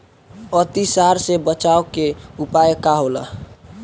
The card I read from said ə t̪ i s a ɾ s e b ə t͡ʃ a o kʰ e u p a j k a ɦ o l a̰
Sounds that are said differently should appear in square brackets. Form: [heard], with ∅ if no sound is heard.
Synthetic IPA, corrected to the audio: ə t̪ i s a ɾ s e b ə t͡ʃ a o [k] e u p a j k a ɦ o l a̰